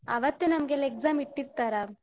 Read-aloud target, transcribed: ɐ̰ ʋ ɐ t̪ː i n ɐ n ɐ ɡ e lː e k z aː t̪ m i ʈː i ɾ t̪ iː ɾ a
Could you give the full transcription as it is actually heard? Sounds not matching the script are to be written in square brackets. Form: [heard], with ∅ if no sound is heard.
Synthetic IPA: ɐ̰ ʋ ɐ t̪ː [e] n ɐ [m] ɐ ɡ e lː e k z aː [∅] m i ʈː i ɾ t̪ [aː] ɾ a